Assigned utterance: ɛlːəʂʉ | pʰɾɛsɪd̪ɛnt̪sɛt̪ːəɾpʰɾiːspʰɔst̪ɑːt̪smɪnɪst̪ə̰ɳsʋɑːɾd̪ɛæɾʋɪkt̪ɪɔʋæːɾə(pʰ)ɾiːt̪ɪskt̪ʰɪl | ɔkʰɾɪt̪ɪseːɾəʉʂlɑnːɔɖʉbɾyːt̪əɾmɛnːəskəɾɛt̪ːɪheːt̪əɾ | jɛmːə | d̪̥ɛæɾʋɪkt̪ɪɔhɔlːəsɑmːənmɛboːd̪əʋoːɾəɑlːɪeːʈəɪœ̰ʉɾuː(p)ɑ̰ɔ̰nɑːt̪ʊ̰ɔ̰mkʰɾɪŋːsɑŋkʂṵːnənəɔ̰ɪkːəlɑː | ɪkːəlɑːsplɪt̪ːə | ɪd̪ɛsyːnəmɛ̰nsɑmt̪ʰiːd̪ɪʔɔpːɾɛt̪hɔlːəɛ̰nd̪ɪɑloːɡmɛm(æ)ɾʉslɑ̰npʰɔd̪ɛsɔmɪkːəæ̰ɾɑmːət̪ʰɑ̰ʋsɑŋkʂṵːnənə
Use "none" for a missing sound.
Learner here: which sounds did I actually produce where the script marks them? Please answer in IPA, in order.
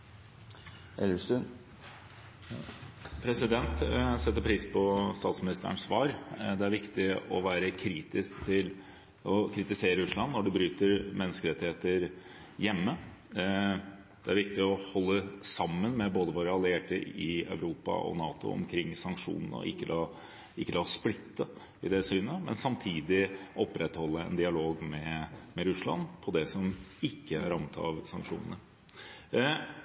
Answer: kʰ, p, ɛ

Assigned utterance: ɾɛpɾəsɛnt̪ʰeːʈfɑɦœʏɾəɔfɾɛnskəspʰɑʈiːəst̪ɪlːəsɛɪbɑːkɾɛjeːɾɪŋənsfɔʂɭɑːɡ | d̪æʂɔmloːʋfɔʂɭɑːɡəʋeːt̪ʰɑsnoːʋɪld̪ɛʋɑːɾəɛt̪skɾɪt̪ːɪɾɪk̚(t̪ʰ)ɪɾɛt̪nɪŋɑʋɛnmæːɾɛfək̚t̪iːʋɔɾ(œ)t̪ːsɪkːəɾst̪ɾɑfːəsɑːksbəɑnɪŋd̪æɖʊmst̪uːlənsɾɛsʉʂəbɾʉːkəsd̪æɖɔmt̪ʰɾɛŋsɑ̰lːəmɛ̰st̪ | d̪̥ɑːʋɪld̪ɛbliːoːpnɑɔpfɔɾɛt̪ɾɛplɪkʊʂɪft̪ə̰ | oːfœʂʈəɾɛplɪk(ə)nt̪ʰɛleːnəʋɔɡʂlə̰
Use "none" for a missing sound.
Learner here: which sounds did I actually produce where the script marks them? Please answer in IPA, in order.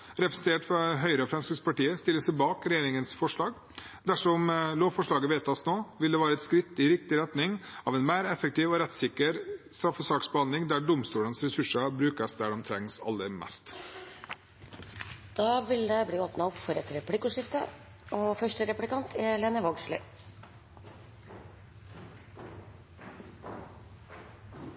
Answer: t̪, ɛ, ɑ

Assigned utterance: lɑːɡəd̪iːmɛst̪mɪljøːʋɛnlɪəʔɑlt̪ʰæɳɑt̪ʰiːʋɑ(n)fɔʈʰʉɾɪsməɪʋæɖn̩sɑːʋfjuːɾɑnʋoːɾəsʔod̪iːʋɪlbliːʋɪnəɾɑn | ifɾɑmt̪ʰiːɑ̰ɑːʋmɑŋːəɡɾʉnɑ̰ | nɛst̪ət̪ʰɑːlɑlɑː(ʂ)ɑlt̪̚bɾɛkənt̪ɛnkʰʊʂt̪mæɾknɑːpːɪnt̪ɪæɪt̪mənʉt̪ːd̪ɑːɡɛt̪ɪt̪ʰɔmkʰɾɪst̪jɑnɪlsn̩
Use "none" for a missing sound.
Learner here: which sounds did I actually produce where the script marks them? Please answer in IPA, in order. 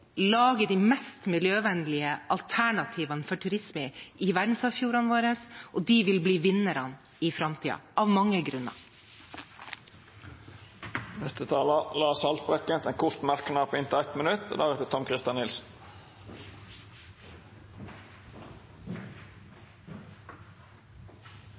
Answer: n, s

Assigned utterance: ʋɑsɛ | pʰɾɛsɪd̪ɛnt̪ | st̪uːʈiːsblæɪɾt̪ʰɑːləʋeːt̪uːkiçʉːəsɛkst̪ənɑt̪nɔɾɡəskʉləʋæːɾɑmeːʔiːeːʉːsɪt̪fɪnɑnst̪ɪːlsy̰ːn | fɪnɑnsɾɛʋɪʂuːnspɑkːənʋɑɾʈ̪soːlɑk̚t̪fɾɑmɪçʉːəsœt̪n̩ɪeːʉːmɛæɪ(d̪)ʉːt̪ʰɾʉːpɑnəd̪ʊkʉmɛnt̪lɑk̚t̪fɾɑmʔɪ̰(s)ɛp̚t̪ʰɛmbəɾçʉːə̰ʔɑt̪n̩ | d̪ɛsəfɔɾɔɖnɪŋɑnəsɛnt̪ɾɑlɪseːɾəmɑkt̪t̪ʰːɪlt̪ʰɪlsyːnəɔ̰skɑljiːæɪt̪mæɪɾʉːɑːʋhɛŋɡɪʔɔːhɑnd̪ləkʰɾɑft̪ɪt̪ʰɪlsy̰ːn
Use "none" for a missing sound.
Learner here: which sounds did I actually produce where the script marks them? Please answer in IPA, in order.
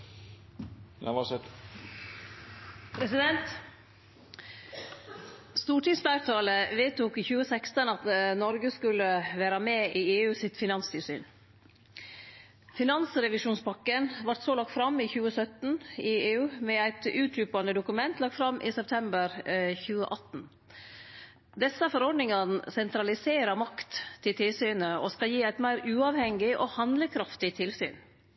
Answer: t̪, s

